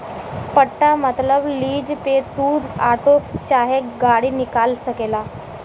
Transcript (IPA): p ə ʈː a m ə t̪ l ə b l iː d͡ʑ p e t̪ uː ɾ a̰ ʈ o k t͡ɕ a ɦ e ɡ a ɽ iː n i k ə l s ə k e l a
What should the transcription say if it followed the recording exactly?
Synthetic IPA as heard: p ə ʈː a m ə t̪ l ə b l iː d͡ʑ p e t̪ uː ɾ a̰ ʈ o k t͡ɕ a ɦ e ɡ a ɽ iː n i k a l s ə k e l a